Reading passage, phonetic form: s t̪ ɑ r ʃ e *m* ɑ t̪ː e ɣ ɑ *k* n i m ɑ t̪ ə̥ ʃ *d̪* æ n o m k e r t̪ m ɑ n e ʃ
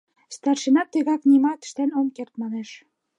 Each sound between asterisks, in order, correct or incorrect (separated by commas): incorrect, correct, incorrect